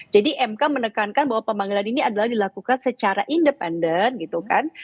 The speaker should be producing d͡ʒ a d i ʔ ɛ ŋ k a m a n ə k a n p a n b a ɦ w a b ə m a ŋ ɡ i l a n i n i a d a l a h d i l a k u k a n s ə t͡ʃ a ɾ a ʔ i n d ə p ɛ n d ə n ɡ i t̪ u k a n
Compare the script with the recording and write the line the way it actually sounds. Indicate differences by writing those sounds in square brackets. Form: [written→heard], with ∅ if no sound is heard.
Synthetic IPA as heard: d͡ʒ a d i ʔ ɛ [ŋ→m] k a m [a→ə] n ə k a n [p→k] a n b a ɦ w a [b→p] ə m a ŋ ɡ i l a n i n i a d a l a h d i l a k u k a n s ə t͡ʃ a ɾ a ʔ i n d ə p ɛ n d ə n ɡ i t̪ u k a n